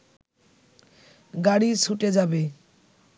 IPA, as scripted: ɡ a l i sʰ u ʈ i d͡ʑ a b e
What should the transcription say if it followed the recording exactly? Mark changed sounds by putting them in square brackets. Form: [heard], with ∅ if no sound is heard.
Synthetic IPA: ɡ a [ɽ] i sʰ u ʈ [e] d͡ʑ a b e